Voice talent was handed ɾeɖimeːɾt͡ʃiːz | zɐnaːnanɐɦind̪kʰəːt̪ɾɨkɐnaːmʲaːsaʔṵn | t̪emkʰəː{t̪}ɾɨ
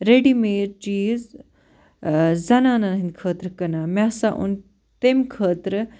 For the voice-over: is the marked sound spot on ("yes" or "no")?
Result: yes